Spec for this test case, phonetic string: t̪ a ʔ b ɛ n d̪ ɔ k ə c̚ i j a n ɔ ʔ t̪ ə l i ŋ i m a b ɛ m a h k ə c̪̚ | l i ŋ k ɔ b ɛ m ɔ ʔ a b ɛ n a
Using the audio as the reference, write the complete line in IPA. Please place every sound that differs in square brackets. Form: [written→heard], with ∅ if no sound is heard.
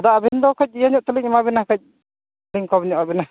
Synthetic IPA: [t̪→d̪] a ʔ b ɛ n d̪ ɔ k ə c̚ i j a [n→ɲ] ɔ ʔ t̪ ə l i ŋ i m a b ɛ [m→n] a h k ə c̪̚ | l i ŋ k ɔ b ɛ [m→ɲ] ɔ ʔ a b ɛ n a